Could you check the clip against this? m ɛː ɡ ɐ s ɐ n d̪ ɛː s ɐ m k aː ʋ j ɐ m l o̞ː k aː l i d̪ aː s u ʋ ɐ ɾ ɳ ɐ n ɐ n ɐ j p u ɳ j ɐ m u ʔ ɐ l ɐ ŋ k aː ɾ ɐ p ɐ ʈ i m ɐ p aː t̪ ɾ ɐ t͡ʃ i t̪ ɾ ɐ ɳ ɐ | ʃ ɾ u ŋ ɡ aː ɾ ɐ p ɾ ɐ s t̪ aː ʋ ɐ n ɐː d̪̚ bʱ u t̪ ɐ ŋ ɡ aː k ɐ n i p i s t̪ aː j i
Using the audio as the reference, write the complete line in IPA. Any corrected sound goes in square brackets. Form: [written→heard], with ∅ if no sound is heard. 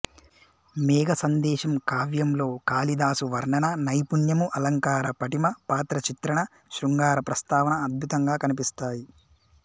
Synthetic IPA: m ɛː ɡ ɐ s ɐ n d̪ ɛː [s→ʃ] ɐ m k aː ʋ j ɐ m l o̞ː k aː l i d̪ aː s u ʋ ɐ ɾ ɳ ɐ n ɐ n ɐ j p u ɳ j ɐ m u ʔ ɐ l ɐ ŋ k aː ɾ ɐ p ɐ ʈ i m ɐ p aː t̪ ɾ ɐ t͡ʃ i t̪ ɾ ɐ ɳ ɐ | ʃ ɾ u ŋ ɡ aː ɾ ɐ p ɾ ɐ s t̪ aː ʋ ɐ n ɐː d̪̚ bʱ u t̪ ɐ ŋ ɡ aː k ɐ n i p i s t̪ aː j i